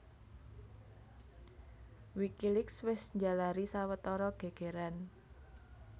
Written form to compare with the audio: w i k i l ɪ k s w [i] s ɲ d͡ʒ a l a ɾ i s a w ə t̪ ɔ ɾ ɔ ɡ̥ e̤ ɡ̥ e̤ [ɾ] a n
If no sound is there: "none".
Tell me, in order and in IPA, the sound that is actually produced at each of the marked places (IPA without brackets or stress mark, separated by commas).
ɪ, ɾ